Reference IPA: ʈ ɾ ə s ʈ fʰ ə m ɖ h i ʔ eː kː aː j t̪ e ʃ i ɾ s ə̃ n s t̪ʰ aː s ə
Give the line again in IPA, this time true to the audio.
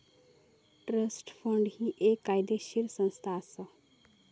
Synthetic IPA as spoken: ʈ ɾ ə s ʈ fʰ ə ɳ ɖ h i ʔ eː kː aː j d̪ e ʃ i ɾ s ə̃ n s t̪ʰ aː s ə